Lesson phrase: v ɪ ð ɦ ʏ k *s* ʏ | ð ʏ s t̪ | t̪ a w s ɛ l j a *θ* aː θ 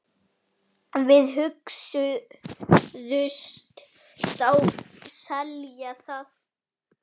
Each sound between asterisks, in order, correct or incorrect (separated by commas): correct, correct